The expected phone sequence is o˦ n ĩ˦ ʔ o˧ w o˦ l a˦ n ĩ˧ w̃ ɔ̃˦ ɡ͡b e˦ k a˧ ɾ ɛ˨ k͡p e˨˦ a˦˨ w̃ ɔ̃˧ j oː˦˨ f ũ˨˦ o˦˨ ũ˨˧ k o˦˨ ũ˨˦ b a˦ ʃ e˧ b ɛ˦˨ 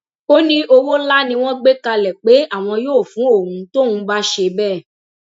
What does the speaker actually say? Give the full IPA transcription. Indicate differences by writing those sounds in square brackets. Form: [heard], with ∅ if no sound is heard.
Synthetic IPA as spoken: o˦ n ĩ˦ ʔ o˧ w o˦ l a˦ n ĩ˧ w̃ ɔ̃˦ ɡ͡b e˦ k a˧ [l] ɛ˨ k͡p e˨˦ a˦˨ w̃ ɔ̃˧ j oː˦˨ f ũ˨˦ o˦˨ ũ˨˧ [t] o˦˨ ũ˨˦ b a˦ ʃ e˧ b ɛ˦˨